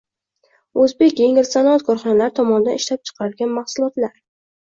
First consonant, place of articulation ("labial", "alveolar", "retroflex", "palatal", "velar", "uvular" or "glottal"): alveolar